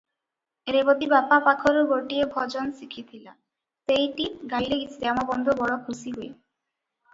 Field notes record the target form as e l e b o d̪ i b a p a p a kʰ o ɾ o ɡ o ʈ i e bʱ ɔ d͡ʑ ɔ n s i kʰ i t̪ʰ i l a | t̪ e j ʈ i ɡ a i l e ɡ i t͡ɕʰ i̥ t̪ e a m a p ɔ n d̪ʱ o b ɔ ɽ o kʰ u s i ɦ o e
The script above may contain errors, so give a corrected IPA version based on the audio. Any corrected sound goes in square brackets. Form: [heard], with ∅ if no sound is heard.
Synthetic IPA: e [ɾ] e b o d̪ i b a p a p a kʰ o ɾ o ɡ o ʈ i e bʱ ɔ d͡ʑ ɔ n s i kʰ i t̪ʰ i l a | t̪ e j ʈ i ɡ a i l e ɡ i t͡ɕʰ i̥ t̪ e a m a [b] ɔ n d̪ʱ o b ɔ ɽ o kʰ u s i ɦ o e